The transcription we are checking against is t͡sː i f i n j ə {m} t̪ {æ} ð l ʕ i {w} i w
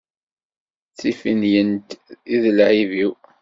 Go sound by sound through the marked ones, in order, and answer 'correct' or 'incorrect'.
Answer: incorrect, incorrect, incorrect

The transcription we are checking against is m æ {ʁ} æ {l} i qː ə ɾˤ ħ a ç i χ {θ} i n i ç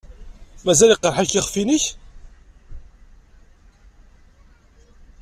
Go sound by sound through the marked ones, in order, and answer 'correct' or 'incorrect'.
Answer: incorrect, correct, incorrect

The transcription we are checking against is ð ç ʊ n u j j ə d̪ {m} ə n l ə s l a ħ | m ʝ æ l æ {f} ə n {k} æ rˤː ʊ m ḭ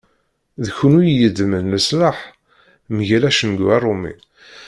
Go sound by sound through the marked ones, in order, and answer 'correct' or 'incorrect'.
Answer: correct, incorrect, incorrect

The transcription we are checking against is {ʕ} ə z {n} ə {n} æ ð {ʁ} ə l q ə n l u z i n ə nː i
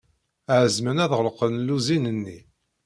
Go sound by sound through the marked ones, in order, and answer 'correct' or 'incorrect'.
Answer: correct, incorrect, correct, correct

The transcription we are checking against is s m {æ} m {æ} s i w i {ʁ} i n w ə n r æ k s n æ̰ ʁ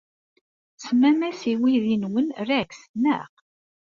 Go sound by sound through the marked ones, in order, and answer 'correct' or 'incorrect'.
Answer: correct, correct, incorrect

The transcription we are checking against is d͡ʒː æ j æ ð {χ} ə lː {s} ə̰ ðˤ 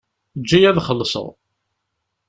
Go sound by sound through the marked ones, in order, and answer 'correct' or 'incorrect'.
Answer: correct, correct

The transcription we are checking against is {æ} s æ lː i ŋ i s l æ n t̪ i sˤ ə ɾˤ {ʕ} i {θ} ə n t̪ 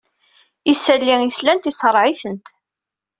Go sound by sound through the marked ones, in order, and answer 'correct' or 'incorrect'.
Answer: incorrect, correct, correct

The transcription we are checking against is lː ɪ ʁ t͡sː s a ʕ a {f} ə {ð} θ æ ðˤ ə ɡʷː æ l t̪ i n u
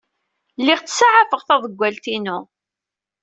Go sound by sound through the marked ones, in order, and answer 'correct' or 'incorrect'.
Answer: correct, incorrect

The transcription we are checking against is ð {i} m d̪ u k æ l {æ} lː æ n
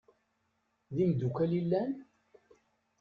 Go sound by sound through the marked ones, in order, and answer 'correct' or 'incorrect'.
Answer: correct, incorrect

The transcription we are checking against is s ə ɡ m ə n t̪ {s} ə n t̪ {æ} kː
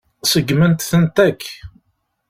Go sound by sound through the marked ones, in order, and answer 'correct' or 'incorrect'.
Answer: incorrect, correct

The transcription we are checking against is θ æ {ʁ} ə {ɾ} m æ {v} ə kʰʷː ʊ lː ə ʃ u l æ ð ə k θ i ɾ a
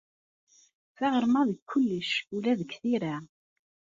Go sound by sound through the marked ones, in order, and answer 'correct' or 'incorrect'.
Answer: correct, correct, incorrect

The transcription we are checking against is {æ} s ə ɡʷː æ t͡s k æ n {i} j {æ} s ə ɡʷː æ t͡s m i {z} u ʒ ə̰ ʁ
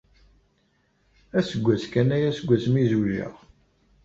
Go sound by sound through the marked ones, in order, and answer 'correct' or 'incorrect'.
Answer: correct, incorrect, correct, correct

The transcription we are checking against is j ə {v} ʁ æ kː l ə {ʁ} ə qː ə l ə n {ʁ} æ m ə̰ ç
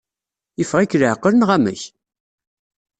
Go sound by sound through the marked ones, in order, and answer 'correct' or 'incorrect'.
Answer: incorrect, incorrect, correct

